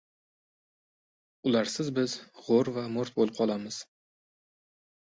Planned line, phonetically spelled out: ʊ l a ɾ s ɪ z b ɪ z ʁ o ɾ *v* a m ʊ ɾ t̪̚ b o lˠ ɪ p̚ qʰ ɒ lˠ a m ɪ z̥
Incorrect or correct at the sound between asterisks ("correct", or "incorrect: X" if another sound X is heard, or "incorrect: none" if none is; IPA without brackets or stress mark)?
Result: correct